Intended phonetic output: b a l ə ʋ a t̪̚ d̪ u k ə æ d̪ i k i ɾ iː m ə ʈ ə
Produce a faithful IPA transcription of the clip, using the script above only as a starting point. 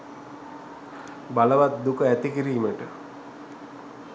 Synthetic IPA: b a l ə ʋ a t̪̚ d̪ u k ə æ t̪ i k i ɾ iː m ə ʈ ə